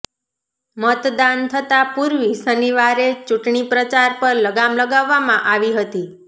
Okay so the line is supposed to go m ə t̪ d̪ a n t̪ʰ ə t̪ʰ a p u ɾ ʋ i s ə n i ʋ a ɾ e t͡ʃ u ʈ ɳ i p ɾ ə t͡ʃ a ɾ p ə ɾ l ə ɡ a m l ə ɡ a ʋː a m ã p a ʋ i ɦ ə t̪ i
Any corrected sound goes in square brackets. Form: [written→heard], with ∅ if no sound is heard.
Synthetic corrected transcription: m ə t̪ d̪ a n t̪ʰ ə [t̪ʰ→t̪] a p u ɾ ʋ i s ə n i ʋ a ɾ e t͡ʃ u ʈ ɳ i p ɾ ə t͡ʃ a ɾ p ə ɾ l ə ɡ a m l ə ɡ a ʋː a m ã [p→ʔ] a ʋ i ɦ ə t̪ i